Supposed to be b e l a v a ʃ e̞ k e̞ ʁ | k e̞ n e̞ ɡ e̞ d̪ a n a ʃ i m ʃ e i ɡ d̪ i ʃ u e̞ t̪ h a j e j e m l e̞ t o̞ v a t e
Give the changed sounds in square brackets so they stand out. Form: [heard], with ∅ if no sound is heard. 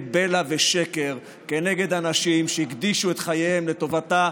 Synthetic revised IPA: b e l a v [e] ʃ e̞ k e̞ ʁ | k e̞ n e̞ ɡ e̞ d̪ a n a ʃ i m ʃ e i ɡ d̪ i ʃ u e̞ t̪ [χ] a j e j e m l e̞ t o̞ v a t [a]